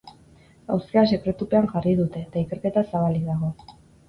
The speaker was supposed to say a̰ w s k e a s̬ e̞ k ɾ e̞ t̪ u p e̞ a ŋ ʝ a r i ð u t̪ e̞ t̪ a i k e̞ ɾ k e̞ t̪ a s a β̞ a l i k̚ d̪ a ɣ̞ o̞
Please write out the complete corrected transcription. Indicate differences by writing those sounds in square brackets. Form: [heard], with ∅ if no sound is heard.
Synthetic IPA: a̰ w s k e a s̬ e̞ k ɾ e̞ t̪ u p e̞ a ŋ ʝ a r i ð u t̪ e̞ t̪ a i k e̞ ɾ k e̞ t̪ a s a β̞ a l i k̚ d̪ a ɣ̞ o̞